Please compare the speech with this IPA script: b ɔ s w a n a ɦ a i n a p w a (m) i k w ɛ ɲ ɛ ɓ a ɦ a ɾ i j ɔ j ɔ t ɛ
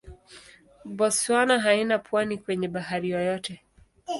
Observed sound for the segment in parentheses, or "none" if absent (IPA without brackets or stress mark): n